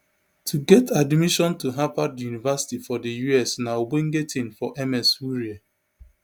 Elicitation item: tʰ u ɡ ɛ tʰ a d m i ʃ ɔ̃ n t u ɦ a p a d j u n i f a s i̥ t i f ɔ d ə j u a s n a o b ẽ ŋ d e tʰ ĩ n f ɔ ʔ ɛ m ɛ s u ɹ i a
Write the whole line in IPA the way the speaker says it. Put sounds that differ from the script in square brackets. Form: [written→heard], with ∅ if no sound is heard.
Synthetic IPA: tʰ u ɡ ɛ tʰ a d m i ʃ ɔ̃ n t u ɦ a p a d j u n i [f→v] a s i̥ t i f ɔ d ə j u [a→ɛ] s n a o b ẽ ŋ [d→ɡ] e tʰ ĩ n f ɔ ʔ ɛ m ɛ s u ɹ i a